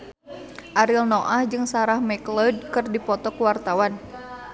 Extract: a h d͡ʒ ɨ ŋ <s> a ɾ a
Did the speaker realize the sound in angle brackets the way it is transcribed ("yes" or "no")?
yes